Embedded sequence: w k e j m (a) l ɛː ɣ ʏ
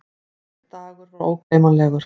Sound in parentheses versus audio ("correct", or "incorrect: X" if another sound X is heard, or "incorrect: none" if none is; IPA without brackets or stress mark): correct